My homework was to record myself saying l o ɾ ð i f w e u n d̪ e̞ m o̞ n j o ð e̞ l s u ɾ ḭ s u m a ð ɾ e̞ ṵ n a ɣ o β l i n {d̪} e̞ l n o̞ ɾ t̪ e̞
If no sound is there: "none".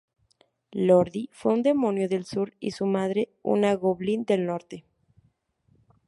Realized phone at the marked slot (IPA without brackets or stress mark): d̪